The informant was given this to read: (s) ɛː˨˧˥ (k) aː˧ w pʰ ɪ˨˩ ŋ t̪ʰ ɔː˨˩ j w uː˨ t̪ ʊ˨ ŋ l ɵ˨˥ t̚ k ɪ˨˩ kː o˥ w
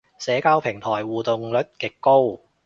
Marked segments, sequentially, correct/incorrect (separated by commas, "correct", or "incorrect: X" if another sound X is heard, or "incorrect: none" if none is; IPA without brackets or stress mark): correct, correct